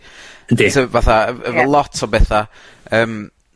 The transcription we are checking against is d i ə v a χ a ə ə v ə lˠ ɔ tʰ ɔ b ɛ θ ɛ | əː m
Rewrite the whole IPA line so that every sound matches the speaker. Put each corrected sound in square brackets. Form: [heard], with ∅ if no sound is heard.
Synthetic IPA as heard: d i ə v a [θ] a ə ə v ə lˠ ɔ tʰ ɔ b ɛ θ [a] | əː m